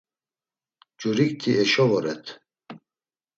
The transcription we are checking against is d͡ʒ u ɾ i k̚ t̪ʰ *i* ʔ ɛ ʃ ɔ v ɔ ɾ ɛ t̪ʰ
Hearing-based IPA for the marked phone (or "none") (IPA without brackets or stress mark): i